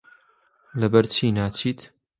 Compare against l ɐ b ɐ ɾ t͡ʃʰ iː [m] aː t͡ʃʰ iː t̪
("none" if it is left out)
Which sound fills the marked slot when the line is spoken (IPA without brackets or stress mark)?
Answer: n